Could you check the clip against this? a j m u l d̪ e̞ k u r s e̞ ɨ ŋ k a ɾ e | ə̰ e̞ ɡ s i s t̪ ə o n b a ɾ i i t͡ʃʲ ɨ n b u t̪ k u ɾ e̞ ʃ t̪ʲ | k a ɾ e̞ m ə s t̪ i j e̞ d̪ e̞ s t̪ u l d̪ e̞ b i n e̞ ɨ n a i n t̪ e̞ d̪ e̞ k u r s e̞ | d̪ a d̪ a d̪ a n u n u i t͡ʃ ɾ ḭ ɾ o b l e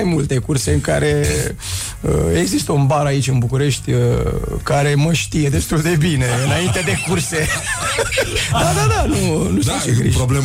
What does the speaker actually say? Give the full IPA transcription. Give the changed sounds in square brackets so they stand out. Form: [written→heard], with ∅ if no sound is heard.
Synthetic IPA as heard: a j m u l [d̪→t̪] e̞ k u r s e̞ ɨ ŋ k a ɾ e | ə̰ e̞ ɡ [s→z] i s t̪ ə [o→u] n b a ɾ [i→a] i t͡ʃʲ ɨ n b u [t̪→∅] k u ɾ e̞ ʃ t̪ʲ | k a ɾ e̞ m ə [s→ʃ] t̪ i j e̞ d̪ e̞ s t̪ u l d̪ e̞ b i n e̞ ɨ n a i n t̪ e̞ d̪ e̞ k u r s e̞ | d̪ a d̪ a d̪ a n u n u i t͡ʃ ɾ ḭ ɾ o b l e